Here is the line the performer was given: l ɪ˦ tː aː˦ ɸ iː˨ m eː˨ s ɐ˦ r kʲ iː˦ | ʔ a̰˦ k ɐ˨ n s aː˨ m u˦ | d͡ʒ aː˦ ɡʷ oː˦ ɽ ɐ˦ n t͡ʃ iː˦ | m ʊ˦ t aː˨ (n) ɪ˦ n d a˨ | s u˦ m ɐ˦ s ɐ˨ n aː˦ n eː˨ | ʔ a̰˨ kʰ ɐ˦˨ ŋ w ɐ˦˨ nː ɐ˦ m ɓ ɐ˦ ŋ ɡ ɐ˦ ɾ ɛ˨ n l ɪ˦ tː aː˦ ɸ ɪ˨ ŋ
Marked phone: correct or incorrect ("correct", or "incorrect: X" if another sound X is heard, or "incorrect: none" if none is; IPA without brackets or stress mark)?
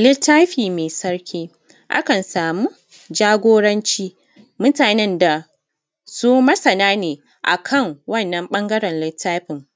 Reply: correct